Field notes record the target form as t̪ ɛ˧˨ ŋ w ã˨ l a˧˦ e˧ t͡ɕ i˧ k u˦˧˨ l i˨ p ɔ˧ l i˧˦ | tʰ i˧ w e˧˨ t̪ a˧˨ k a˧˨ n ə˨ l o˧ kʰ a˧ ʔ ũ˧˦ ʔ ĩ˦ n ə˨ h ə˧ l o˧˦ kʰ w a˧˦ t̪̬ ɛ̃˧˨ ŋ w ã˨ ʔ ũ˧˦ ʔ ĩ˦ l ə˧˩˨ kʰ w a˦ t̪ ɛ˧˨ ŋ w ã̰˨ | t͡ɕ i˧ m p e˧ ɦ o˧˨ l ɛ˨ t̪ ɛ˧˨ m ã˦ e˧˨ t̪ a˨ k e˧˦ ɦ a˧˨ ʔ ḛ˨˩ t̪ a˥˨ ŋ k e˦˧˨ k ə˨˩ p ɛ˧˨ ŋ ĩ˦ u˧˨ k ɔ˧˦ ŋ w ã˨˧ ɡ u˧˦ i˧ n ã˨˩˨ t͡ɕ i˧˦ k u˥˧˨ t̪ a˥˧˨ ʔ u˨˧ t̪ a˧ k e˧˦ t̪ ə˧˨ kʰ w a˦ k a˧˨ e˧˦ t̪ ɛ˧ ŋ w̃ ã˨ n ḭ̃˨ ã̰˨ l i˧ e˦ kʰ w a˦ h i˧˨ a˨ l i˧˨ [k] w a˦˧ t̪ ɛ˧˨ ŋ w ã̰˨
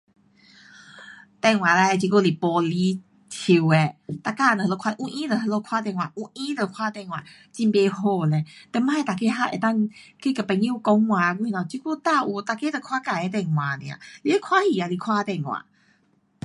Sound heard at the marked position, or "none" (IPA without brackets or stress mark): kʰ